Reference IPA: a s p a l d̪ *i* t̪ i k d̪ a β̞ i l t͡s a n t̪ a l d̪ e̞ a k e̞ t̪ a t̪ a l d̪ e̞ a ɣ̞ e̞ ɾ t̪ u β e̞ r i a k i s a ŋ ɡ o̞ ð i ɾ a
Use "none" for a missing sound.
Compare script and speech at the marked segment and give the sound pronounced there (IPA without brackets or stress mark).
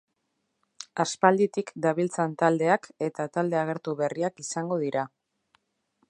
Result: i